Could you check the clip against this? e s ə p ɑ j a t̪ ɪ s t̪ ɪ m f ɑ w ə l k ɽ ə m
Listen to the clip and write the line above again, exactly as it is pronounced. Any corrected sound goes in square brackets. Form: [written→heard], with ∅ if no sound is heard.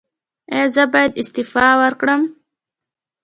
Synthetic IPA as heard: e [s→z] ə [p→b] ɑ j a [t̪→d̪] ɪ s t̪ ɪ [m→∅] f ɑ w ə [l→ɾ] k ɽ ə m